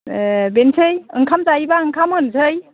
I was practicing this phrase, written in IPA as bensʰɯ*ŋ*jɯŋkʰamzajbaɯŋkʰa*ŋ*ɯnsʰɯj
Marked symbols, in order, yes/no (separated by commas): no, no